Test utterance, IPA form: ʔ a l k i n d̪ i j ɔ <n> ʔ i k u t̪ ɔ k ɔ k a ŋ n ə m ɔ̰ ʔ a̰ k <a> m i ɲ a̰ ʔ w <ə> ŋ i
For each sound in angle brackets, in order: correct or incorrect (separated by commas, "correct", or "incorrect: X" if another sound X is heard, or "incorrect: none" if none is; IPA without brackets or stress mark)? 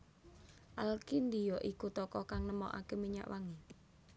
incorrect: none, incorrect: e, incorrect: a